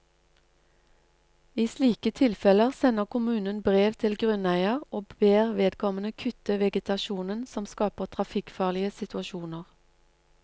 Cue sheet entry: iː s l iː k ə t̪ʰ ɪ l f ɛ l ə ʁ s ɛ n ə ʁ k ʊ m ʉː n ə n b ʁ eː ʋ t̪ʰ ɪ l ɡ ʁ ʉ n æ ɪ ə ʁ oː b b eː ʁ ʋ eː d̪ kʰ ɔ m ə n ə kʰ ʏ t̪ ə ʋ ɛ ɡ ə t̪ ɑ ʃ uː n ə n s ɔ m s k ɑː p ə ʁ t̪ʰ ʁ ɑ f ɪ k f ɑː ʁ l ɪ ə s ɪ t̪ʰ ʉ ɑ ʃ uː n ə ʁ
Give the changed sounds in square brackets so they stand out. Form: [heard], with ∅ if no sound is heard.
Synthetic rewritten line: iː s l iː k ə t̪ʰ ɪ l f ɛ l ə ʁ s ɛ n ə ʁ k ʊ m ʉː n ə n b ʁ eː ʋ t̪ʰ ɪ l ɡ ʁ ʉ n æ ɪ ə ʁ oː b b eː ʁ ʋ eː d̪ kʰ ɔ m ə n ə kʰ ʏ t̪ ə ʋ ɛ ɡ ə t̪ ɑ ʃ uː n ə n s ɔ m s k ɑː p ə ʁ t̪ʰ ʁ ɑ f ɪ k f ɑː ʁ l ɪ ə s ɪ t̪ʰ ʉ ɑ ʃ uː n ə ʁ